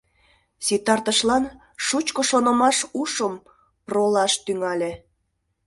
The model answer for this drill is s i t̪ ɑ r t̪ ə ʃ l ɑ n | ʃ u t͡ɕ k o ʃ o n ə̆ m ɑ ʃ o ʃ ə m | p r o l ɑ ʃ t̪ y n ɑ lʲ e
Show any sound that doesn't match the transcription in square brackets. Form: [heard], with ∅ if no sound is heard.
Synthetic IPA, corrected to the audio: s i t̪ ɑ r t̪ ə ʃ l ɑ n | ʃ u t͡ɕ k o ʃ o n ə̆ m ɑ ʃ [u] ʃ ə m | p r o l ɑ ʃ t̪ y [ŋ] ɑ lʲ e